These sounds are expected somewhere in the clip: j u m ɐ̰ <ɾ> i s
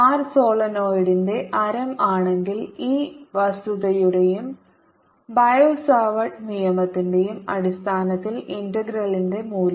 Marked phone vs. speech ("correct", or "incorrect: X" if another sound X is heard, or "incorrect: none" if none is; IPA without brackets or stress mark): incorrect: ɽ